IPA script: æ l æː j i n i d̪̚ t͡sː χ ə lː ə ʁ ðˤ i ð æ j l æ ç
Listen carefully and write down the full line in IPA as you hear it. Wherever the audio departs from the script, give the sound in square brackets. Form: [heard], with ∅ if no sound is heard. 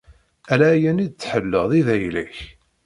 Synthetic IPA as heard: æ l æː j [æ] n i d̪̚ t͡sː [ħ] ə lː ə ʁ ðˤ i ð æ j l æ ç